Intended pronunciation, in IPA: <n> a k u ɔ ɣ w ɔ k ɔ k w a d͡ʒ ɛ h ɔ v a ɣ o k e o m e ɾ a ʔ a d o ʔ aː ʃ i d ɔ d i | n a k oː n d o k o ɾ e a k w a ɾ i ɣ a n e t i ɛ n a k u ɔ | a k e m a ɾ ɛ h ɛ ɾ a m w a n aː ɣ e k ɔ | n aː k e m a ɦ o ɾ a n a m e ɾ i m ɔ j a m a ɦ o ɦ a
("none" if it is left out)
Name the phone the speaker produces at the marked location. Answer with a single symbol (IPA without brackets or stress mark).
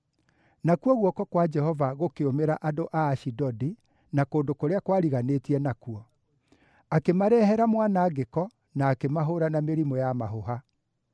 n